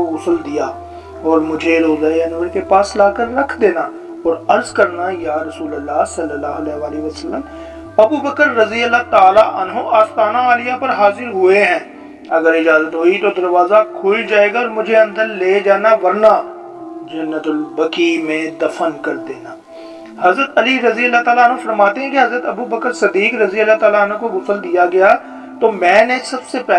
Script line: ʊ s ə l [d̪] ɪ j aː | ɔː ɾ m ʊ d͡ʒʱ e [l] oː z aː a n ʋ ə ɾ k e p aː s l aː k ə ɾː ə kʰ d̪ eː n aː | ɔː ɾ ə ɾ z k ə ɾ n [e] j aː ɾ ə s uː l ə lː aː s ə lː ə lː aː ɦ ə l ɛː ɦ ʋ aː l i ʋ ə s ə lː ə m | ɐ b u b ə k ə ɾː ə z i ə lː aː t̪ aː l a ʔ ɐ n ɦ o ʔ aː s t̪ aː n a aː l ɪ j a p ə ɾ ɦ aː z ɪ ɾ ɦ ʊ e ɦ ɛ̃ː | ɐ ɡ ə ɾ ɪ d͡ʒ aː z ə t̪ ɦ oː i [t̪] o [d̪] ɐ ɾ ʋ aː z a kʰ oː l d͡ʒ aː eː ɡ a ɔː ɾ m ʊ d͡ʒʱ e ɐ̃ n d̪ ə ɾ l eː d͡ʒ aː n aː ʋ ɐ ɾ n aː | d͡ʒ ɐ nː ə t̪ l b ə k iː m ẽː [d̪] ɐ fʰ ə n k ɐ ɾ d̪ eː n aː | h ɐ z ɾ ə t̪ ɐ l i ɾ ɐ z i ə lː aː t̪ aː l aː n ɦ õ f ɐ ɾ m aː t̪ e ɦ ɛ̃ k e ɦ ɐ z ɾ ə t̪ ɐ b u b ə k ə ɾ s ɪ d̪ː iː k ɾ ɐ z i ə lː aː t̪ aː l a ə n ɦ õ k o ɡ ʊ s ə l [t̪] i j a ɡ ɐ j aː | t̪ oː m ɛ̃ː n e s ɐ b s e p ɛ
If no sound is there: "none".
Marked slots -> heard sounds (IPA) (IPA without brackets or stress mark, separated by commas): d̪, ɾ, a, t̪, d̪, d̪, d̪